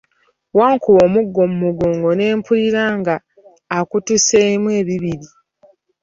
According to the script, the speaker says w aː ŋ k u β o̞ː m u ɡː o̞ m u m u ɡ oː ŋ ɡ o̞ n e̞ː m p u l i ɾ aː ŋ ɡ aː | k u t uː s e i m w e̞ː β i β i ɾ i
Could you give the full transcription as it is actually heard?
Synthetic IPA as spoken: w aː ŋ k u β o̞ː m u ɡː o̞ m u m u ɡ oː ŋ ɡ o̞ n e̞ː m p u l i ɾ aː ŋ ɡ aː | k u t u s e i m w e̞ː β i β i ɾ i